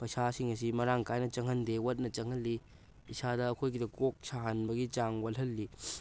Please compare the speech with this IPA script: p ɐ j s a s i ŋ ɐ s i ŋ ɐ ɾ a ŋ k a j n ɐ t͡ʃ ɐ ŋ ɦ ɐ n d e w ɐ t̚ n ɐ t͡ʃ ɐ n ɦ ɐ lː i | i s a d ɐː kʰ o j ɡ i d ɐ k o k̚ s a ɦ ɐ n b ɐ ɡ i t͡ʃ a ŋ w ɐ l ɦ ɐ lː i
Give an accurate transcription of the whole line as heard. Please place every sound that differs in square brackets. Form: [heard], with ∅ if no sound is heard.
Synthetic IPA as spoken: p ɐ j s a s i ŋ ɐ s i [m] ɐ ɾ a ŋ k a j n ɐ t͡ʃ ɐ ŋ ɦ ɐ n d e w ɐ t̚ n ɐ t͡ʃ ɐ [ŋ] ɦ ɐ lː i | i s a d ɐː kʰ o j ɡ i d ɐ k o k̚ s a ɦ ɐ n b ɐ ɡ i t͡ʃ a ŋ w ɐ l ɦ ɐ lː i